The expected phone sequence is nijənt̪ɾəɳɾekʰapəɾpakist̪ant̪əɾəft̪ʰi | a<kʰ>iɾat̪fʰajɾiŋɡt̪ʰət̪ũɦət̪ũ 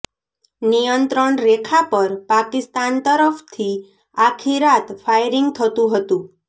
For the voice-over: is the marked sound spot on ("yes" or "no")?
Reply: yes